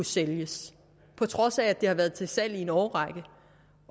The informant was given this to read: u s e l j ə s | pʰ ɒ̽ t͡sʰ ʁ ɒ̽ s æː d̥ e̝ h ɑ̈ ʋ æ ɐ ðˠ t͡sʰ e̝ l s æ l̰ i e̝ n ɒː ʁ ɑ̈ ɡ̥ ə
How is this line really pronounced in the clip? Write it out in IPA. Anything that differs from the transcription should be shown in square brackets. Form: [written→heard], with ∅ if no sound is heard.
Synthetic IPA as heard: u s e l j ə s | pʰ ɒ̽ t͡sʰ ʁ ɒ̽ s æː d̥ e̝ h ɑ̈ ʋ æ ɐ ðˠ t͡sʰ e̝ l s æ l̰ i e̝ n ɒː ʁ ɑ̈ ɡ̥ ə